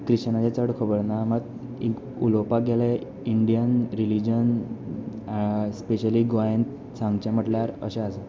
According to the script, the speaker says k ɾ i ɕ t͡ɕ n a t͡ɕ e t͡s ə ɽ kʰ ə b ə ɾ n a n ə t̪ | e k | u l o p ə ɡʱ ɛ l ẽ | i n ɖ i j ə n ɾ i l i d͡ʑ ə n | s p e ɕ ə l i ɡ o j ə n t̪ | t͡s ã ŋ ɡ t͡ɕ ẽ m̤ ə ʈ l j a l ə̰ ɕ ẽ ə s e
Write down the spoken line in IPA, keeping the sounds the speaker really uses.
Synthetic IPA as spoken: k ɾ i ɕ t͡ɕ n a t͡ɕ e t͡s ə ɽ kʰ ə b ə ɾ n a m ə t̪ | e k | u l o p a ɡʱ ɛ l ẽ | i ɳ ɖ i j ə n ɾ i l i d͡ʑ ə n | s p e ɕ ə l i ɡ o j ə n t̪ | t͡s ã ŋ ɡ t͡ɕ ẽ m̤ ə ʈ l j a ɾ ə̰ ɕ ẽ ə s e